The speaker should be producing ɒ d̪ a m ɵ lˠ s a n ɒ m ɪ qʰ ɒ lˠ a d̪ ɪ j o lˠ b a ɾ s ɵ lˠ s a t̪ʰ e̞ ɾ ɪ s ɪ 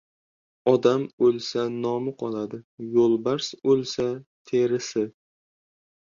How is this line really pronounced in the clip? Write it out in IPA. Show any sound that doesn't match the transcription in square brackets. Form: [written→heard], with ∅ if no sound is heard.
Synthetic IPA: ɒ d̪ a m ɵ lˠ s a n ɒ m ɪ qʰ ɒ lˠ a d̪ ɪ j o lˠ b a ɾ s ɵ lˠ s a t̪ʰ e̞ ɾ ɪ s ɪ